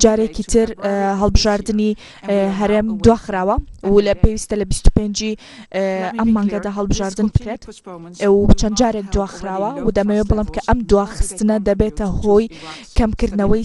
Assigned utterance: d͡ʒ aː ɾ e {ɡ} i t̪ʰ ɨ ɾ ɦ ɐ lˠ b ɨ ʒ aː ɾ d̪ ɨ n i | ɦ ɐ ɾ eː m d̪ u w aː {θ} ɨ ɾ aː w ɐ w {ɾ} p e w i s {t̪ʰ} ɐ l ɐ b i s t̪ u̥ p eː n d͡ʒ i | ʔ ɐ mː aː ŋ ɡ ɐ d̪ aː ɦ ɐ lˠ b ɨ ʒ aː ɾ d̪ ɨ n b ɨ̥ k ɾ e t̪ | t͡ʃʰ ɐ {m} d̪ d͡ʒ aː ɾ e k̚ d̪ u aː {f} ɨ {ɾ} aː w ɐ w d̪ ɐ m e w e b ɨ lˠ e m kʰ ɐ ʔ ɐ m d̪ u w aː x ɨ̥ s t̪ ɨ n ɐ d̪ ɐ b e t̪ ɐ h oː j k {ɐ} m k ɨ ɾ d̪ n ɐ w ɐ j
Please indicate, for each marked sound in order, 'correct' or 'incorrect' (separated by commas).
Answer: incorrect, incorrect, incorrect, incorrect, incorrect, incorrect, correct, correct